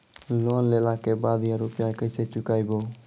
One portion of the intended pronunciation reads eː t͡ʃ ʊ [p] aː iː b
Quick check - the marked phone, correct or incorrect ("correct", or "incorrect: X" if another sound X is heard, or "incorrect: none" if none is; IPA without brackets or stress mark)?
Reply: incorrect: k